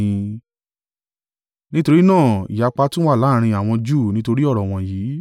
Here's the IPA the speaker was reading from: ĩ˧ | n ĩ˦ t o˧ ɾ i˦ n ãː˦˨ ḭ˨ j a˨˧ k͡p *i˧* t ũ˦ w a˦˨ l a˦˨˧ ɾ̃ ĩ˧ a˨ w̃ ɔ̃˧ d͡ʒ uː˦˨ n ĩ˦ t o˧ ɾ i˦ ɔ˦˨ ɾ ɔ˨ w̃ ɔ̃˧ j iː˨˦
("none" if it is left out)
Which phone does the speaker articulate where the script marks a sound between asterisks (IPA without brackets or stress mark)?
a˧